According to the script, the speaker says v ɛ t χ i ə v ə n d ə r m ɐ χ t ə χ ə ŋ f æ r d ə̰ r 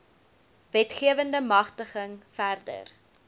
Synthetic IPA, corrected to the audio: v ɛ t χ i ə v ə n d ə m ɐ χ t ə χ ə ŋ f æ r d ə̰ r